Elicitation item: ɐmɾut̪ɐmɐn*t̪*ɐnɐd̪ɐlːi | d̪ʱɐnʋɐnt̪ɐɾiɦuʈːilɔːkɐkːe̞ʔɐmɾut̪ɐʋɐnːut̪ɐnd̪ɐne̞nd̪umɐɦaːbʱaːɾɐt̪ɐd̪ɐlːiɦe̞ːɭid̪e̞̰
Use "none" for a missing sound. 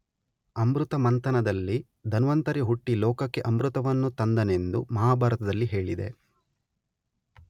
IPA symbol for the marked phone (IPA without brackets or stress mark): t̪